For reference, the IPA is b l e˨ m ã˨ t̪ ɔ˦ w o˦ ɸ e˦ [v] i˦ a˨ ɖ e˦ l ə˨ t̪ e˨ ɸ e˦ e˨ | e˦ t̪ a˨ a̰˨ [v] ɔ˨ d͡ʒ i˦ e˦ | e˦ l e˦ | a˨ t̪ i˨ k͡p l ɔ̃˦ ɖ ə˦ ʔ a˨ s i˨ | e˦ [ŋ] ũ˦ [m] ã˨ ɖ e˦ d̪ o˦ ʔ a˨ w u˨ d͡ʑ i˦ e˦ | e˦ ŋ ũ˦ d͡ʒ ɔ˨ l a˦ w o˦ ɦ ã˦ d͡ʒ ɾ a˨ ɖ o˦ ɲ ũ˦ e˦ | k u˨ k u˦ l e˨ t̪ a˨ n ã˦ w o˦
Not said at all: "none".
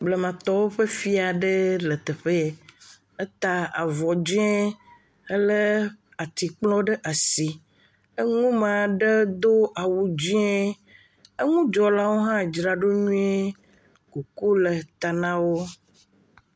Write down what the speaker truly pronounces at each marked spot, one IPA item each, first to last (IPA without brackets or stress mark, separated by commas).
f, v, ŋ, m